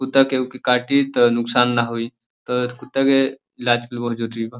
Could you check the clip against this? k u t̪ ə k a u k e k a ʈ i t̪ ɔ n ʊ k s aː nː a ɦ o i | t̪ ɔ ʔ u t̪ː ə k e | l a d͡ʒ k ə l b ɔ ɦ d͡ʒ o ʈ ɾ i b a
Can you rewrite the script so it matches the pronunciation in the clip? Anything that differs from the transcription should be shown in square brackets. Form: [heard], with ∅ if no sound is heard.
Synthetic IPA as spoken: k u t̪ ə k [e] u k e k a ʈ i t̪ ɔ n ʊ k s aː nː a ɦ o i | t̪ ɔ [k] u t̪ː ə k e | l a d͡ʒ k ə l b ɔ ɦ d͡ʒ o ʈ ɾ i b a